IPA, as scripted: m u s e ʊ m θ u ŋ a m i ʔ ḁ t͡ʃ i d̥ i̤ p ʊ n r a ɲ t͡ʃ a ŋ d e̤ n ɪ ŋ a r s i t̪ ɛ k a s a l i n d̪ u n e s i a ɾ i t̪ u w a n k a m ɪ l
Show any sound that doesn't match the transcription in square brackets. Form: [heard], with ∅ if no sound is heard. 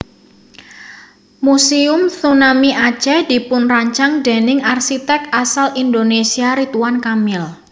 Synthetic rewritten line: m u s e ʊ m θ u [n] a m i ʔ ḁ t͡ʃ [ɛ] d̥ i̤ p ʊ n r a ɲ t͡ʃ a ŋ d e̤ n ɪ ŋ a r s i t̪ ɛ k a s a l i n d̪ [o] n e s i a ɾ i t̪ u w a n k a m ɪ l